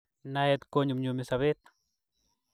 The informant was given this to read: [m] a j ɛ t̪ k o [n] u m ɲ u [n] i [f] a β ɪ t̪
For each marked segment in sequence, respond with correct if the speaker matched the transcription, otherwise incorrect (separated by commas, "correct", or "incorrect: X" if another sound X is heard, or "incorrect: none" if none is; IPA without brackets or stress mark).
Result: incorrect: n, incorrect: ɲ, incorrect: m, incorrect: s